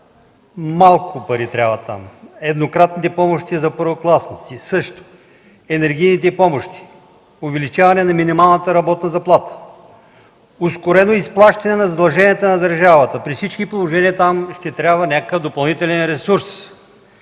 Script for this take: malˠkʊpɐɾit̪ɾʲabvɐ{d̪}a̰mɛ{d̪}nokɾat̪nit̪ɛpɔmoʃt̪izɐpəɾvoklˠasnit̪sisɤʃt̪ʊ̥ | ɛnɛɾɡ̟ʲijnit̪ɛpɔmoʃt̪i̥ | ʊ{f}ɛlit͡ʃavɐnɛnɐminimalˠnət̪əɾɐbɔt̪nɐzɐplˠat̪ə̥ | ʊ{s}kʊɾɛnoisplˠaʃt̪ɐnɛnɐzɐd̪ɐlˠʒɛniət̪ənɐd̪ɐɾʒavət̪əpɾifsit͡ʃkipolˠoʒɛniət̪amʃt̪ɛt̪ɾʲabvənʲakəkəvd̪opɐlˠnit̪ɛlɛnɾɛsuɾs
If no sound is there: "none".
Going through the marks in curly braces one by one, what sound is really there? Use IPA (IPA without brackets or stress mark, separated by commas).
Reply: t̪, d̪, v, s